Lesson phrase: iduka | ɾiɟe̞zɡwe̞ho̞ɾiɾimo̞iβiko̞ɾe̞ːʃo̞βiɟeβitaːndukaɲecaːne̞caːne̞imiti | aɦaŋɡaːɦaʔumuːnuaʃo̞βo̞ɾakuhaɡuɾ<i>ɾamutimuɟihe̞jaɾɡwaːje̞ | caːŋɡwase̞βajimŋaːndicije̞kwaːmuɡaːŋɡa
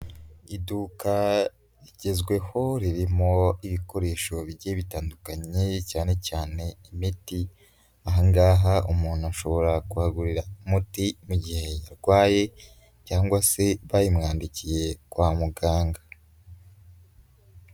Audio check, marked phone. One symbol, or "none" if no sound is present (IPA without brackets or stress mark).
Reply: i